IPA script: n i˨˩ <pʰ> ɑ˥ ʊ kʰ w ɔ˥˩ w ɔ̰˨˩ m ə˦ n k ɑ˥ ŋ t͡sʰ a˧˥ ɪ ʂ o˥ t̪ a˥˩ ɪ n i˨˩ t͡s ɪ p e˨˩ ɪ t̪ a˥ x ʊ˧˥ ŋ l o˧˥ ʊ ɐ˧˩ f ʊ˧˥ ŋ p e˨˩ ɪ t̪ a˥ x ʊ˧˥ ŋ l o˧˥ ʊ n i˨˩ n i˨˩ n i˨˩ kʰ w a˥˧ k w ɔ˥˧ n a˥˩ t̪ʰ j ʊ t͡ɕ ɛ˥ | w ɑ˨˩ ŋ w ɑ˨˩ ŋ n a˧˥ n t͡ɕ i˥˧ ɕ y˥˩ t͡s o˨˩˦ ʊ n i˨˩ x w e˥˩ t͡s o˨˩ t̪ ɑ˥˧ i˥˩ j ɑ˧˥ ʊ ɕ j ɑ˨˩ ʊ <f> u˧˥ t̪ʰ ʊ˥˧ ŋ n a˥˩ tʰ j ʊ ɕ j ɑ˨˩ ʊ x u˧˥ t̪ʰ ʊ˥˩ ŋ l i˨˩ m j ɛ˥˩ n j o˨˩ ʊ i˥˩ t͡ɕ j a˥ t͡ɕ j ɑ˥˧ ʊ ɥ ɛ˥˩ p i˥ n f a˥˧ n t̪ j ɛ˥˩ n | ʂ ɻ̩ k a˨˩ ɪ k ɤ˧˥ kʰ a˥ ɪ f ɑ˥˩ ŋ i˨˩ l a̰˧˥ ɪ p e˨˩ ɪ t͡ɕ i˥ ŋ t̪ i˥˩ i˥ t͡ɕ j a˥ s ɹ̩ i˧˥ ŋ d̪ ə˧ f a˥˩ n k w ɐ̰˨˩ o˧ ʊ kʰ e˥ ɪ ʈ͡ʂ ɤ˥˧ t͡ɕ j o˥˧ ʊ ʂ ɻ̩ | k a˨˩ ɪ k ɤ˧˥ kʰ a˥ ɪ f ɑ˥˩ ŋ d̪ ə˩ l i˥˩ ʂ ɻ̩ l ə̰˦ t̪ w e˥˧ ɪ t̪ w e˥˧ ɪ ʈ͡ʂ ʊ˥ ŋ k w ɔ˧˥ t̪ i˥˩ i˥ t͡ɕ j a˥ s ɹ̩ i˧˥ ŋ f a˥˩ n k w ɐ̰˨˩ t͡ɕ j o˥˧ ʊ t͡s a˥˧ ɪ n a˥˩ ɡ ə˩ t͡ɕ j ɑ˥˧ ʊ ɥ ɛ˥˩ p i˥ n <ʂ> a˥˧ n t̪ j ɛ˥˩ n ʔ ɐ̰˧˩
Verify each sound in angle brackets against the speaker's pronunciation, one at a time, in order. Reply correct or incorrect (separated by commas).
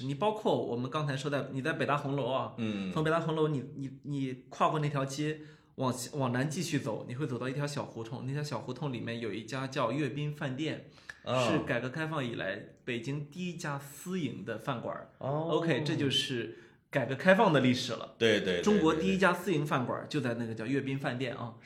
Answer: incorrect, incorrect, incorrect